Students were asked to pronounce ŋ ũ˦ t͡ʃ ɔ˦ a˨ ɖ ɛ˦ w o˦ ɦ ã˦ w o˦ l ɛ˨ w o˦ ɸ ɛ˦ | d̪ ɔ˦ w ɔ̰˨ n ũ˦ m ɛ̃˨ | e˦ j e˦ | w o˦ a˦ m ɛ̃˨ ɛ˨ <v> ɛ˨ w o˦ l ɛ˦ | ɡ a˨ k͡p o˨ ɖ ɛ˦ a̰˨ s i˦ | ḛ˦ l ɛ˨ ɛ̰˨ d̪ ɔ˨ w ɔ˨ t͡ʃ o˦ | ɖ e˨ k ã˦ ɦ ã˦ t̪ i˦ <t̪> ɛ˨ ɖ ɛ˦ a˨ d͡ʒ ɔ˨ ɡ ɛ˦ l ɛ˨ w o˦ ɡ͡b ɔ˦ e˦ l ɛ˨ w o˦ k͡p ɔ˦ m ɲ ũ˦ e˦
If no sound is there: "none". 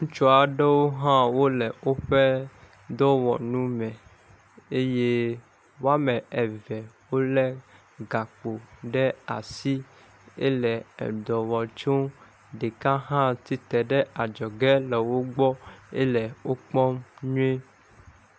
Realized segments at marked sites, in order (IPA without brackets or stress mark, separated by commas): v, t̪